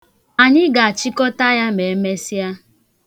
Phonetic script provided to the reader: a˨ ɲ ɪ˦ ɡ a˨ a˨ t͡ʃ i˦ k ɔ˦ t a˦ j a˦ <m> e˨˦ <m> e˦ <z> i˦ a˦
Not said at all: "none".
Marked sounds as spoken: m, m, s

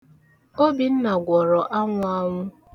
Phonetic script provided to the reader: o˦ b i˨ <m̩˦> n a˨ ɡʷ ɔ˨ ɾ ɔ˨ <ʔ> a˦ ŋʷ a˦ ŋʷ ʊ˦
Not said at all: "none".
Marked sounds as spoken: n̩˦, ʔ

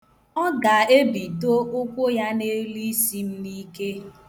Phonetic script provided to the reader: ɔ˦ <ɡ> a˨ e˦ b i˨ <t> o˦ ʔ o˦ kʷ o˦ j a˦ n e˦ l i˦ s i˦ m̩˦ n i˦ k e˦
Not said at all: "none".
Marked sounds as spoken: ɡ, t

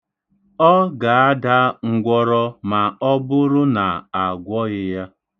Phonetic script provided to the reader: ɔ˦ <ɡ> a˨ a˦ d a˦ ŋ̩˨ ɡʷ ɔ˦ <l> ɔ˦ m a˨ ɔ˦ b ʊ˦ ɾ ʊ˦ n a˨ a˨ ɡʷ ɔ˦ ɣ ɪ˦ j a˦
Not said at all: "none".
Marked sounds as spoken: ɡ, ɾ

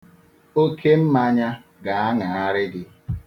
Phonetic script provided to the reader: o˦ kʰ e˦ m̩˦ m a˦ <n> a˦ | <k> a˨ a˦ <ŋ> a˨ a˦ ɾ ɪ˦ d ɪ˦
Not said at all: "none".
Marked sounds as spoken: ɲ, ɡ, ŋ

